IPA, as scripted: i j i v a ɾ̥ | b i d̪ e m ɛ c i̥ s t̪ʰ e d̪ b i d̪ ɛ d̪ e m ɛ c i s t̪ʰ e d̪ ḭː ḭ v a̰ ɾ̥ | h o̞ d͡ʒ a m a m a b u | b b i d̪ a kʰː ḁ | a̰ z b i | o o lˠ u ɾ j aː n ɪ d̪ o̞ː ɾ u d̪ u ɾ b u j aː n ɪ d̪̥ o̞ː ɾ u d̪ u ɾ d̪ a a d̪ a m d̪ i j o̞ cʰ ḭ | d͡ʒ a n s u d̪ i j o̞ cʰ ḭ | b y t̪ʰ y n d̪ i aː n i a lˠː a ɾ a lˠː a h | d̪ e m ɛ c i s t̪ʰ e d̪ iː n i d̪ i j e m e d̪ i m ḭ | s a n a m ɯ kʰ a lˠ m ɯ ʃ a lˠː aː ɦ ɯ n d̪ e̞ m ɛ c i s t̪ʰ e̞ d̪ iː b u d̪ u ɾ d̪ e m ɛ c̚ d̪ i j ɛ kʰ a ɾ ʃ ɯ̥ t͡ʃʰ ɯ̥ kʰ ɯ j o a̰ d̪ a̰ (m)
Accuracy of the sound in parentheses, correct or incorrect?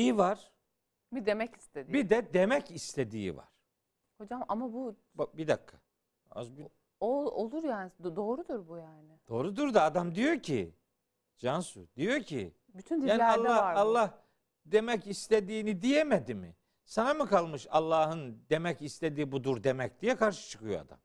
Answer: correct